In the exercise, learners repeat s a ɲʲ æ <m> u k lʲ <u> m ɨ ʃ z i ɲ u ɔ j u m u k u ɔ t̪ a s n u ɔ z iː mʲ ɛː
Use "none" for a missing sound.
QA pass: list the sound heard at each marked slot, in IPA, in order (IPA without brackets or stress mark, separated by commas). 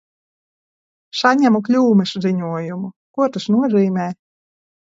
m, uː